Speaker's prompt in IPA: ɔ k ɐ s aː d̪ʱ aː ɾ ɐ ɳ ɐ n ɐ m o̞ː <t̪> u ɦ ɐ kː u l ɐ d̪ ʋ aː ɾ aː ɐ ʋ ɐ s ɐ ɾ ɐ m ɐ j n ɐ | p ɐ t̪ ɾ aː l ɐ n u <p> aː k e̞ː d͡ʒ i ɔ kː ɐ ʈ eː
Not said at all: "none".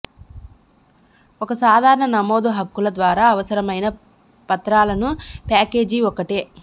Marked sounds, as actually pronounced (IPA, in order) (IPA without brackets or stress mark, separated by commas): d̪, p